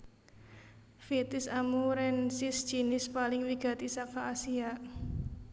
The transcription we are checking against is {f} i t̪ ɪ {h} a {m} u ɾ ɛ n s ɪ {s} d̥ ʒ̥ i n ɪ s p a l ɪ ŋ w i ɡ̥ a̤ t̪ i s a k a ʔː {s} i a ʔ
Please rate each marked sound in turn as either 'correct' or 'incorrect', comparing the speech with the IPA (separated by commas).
correct, incorrect, correct, correct, correct